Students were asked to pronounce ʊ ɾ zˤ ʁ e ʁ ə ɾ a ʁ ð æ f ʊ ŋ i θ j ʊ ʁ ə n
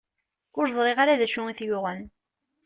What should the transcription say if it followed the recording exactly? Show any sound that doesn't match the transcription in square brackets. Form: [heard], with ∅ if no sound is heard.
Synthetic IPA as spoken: ʊ ɾ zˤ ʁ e ʁ [a] ɾ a [∅] ð æ [ʃ] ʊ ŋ i θ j ʊ ʁ ə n